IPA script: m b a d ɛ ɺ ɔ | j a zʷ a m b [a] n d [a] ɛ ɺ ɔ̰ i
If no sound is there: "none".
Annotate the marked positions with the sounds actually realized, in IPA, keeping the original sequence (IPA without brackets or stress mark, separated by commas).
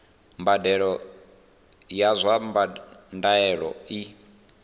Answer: a, a